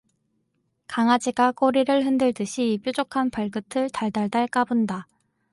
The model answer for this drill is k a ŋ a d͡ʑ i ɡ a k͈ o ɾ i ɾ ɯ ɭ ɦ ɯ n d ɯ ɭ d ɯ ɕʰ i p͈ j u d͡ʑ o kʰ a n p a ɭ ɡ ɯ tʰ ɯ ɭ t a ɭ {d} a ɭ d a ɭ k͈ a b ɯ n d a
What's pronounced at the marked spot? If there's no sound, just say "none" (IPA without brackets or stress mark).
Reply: d